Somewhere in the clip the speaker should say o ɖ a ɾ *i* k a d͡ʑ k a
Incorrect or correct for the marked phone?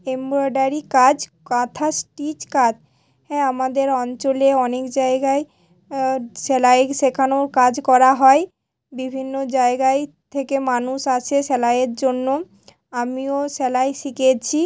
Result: correct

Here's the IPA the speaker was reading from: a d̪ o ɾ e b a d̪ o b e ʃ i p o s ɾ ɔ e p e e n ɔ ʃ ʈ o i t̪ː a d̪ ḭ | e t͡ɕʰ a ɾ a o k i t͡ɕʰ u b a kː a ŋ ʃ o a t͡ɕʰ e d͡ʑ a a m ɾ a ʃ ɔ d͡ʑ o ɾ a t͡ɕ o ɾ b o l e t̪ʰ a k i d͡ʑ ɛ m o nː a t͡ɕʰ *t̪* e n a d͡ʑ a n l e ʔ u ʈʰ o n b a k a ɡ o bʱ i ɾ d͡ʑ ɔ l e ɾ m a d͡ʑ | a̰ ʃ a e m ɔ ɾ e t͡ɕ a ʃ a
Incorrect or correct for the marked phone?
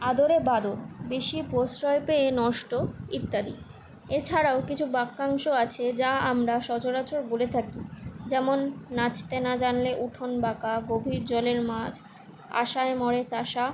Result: correct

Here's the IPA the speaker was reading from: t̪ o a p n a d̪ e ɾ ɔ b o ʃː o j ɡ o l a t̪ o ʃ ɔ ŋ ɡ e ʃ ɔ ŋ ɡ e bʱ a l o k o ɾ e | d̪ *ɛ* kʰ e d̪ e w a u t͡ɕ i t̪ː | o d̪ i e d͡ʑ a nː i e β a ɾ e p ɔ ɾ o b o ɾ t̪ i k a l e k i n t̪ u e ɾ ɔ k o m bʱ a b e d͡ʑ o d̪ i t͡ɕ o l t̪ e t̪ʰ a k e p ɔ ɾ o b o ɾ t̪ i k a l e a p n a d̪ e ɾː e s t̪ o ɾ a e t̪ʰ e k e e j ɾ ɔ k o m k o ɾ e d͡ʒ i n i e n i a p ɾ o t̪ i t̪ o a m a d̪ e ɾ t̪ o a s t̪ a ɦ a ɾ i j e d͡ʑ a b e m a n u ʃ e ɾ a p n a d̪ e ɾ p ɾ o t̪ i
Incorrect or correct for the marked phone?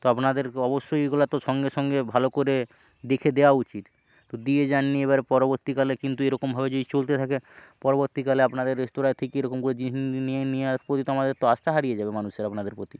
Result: incorrect: e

